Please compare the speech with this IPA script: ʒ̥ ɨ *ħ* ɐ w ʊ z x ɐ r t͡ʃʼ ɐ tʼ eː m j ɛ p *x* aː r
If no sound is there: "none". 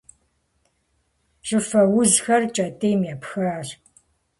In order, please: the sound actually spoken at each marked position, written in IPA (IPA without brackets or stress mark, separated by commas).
f, x